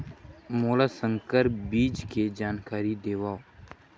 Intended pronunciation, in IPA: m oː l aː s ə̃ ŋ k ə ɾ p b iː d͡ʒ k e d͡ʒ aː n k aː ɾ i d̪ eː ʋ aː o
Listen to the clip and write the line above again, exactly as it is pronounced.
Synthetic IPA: m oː l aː s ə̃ ŋ k ə ɾ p b iː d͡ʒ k e d͡ʒ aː n k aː ɾ i d̪ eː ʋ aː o